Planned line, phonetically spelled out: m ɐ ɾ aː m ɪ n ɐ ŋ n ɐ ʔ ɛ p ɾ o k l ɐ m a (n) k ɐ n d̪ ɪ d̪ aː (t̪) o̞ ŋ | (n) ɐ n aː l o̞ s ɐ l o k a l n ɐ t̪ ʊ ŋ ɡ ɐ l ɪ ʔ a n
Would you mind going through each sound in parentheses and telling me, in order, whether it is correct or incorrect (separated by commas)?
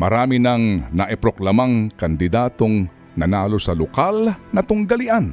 incorrect, correct, correct